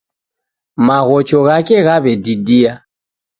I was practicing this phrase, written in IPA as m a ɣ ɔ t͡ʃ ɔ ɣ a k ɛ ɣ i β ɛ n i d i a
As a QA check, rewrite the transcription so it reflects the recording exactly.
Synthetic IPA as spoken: m a ɣ ɔ t͡ʃ ɔ ɣ a k ɛ ɣ a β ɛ d i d i a